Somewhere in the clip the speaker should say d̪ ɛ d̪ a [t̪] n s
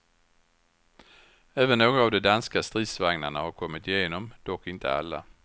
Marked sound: incorrect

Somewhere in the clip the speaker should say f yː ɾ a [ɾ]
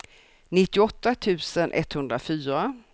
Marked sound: incorrect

